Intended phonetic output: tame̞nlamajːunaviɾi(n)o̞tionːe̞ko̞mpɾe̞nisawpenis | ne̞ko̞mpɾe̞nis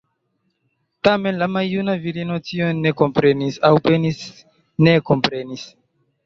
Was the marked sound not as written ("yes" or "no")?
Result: no